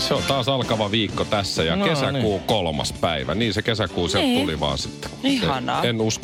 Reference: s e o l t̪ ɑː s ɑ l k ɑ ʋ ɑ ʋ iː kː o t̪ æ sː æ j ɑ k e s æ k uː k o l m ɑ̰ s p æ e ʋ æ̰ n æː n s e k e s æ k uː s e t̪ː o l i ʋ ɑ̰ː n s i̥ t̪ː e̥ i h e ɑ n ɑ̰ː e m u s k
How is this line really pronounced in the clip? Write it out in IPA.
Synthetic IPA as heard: s e o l t̪ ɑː s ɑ l k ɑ ʋ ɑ ʋ iː kː o t̪ æ sː æ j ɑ k e s æ k uː k o l m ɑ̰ s p æ i ʋ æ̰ n iː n s e k e s æ k uː s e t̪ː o l i ʋ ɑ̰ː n s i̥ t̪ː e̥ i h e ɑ n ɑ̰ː e n u s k